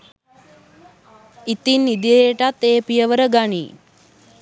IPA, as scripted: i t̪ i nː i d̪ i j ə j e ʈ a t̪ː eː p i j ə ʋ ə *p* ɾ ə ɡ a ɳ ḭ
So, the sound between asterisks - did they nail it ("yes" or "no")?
no